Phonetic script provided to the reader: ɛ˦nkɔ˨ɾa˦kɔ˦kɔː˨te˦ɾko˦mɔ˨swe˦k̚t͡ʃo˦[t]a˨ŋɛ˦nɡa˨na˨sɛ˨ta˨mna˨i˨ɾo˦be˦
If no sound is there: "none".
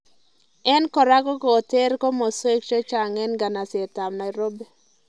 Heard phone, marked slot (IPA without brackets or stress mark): t͡ʃ